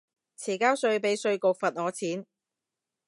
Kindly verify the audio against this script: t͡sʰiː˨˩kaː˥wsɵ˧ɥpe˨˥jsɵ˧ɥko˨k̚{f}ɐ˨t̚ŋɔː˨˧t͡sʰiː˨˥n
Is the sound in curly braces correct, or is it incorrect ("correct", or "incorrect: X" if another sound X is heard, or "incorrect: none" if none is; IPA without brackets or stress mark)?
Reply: correct